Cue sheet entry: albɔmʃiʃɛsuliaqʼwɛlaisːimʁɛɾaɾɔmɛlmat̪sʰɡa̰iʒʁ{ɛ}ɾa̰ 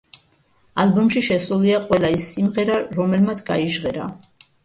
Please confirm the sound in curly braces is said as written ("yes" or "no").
yes